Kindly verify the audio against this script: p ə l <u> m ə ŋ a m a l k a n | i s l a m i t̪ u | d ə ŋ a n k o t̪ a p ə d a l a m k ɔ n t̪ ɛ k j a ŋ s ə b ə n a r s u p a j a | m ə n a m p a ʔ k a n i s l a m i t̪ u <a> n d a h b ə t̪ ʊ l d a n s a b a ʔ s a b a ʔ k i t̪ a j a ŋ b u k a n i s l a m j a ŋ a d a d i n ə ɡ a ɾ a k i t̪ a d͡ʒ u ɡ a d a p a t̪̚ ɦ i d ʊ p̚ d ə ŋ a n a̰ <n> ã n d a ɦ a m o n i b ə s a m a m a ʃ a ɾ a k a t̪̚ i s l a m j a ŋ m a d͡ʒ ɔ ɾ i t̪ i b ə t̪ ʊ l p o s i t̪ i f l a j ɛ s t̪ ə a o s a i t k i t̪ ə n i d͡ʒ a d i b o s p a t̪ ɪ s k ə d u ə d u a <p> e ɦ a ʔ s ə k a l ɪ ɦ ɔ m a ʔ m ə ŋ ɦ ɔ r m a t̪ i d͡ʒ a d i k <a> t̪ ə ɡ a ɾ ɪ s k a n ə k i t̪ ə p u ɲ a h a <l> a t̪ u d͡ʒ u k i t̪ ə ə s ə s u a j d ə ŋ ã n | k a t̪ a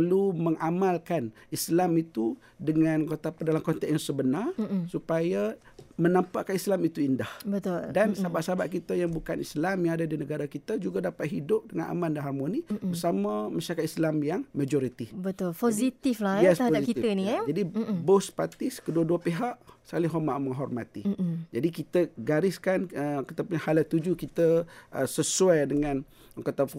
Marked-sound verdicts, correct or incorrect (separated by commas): correct, incorrect, incorrect, correct, incorrect, correct